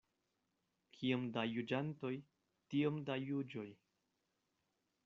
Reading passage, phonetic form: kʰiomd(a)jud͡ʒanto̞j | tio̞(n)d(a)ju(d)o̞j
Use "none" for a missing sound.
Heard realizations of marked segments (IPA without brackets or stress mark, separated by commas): a, m, a, d͡ʒ